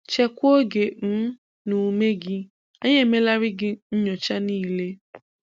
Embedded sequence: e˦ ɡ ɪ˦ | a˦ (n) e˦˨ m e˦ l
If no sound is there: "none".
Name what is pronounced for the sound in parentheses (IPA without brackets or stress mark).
ɲ